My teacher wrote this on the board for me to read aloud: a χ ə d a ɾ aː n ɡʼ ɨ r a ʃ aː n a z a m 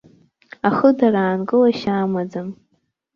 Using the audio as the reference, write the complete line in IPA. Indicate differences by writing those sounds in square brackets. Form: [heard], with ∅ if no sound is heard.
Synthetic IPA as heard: a χ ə d a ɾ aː n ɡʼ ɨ [l] a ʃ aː [m] a [d͡z] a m

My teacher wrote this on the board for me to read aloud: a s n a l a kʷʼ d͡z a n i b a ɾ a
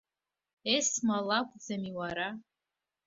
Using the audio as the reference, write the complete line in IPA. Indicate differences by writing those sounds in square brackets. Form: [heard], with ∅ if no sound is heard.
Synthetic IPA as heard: [e] s [m] a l a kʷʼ d͡z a [m] i [w] a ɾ a

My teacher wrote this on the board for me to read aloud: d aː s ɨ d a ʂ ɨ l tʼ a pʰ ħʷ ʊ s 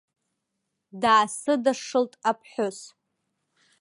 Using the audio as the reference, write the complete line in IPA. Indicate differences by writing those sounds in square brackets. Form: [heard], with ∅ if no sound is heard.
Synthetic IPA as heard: d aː s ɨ d a ʂ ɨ l tʼ a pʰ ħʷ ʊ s

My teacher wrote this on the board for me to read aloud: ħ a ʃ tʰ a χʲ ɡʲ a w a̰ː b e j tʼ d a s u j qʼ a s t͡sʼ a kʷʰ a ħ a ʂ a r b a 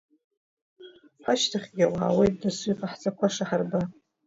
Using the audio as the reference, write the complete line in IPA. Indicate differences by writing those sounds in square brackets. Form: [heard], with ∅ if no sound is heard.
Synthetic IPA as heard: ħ a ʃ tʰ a χʲ ɡʲ a w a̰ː [w] e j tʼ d a s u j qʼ a [ħ] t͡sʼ a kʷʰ a [ʂ] a [ħ] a r b a

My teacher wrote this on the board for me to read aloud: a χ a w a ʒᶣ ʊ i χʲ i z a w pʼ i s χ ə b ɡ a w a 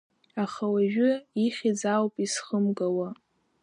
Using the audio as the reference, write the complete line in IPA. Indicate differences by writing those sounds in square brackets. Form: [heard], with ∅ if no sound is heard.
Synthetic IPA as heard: a χ a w a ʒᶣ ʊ i χʲ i [d͡z] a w pʼ i s χ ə [m] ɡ a w a

